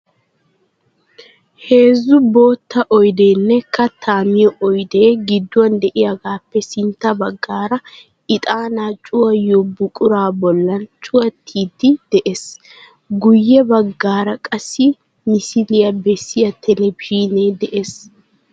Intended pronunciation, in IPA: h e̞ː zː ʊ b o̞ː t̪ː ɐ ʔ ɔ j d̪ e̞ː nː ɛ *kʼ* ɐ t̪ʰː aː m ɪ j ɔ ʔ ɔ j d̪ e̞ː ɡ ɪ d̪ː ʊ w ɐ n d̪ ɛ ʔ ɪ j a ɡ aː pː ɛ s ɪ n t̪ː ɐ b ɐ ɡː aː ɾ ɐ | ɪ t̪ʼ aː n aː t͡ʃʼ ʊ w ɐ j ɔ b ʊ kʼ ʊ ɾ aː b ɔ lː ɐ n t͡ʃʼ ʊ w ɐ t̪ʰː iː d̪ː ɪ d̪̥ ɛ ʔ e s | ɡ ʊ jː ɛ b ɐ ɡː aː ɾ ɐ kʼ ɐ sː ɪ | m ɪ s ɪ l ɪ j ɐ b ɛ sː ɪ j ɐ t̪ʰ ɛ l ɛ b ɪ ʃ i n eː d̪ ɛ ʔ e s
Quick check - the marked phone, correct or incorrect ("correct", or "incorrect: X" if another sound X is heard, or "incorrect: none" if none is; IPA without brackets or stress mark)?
incorrect: k